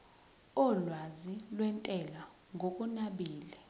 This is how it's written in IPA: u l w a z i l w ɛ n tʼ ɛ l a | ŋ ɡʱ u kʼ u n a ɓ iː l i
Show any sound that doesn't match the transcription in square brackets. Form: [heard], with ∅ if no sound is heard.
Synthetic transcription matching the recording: [ɔ] l w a z i l w ɛ n tʼ ɛ l a | ŋ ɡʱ [o] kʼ u n a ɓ iː l [ɛ]